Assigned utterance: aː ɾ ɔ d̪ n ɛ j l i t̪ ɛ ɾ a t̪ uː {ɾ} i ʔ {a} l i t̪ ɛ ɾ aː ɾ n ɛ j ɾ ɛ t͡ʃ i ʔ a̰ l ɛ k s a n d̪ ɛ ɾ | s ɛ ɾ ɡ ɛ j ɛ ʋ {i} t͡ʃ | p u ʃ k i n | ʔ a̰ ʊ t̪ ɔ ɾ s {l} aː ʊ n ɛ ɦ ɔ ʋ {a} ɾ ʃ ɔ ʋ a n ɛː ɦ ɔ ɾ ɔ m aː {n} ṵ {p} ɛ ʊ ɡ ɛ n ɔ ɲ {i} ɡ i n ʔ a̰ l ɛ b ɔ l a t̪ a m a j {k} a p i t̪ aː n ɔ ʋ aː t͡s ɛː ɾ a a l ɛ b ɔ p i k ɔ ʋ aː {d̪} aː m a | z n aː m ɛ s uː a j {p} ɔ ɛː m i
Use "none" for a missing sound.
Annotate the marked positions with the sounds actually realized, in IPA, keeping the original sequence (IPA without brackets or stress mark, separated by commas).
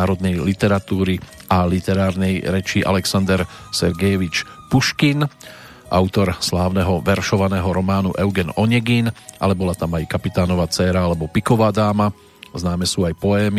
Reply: ɾ, a, i, l, ɛ, n, ʔ, ɛ, k, d̪, p